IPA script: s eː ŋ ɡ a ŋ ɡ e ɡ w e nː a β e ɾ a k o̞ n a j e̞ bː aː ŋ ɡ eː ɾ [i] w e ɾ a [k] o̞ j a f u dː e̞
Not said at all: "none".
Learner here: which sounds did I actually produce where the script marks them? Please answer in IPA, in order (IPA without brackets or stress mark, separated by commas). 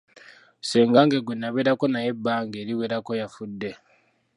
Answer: i, k